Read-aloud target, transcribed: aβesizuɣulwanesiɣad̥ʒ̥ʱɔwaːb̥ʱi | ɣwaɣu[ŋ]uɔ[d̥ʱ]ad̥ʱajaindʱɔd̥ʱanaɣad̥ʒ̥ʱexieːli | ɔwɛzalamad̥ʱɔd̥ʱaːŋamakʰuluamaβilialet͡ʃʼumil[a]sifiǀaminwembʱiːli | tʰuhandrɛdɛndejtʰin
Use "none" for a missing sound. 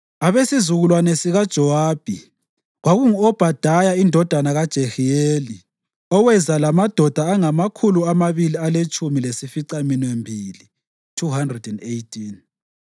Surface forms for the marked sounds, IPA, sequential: ŋ, b̥ʱ, e

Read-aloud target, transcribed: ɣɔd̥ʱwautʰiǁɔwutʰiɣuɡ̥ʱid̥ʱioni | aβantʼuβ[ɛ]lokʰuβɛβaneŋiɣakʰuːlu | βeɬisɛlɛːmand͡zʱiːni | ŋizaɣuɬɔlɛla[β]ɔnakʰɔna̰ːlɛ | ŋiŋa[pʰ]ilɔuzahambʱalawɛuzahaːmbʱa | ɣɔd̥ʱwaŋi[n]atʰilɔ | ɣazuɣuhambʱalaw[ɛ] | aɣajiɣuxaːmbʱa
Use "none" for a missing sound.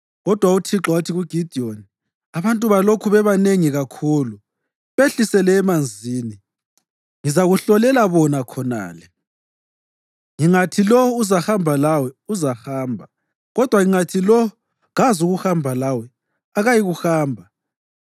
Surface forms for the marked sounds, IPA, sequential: a, β, tʰ, ŋ, ɛ

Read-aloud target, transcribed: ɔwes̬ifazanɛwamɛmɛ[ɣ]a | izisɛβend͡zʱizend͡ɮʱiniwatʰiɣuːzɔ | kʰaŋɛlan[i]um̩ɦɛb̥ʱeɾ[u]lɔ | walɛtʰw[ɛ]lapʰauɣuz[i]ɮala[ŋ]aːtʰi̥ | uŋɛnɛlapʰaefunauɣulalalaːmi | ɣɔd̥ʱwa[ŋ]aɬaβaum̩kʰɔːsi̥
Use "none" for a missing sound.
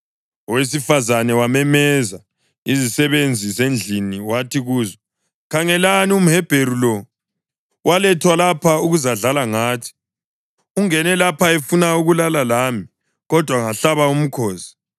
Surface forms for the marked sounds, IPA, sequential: z, i, u, a, a, ŋ, ŋ

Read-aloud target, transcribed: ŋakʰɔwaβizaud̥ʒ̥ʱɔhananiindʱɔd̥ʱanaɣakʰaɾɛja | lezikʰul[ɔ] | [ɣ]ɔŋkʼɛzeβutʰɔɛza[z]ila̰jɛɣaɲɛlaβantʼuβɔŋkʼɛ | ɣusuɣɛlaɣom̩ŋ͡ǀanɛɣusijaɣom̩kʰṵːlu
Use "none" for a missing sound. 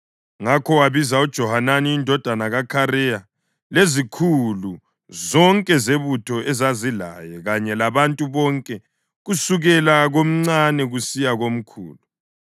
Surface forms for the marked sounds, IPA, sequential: u, z, z

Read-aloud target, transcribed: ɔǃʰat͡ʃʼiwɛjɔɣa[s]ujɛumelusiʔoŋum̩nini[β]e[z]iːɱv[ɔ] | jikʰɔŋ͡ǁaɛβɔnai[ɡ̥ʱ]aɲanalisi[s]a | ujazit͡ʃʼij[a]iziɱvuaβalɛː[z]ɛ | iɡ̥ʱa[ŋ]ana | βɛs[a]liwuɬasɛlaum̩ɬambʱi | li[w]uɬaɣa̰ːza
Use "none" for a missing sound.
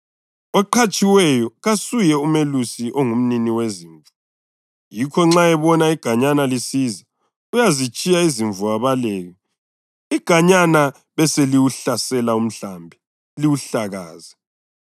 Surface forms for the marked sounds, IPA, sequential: s, w, z, u, ɡ̥ʱ, z, a, ɣ, ɲ, e, w

